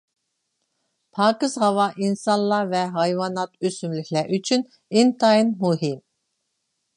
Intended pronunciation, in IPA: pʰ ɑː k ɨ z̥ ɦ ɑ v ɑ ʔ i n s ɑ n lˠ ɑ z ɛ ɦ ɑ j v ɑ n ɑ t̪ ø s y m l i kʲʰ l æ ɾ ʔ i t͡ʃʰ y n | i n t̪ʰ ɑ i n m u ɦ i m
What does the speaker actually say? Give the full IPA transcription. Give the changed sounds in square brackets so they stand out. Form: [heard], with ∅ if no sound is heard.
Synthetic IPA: pʰ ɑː k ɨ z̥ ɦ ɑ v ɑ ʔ i n s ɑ n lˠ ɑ [v] ɛ ɦ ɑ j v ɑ n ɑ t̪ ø s y m l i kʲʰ l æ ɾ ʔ [y] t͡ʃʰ y n | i n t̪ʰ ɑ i n m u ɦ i m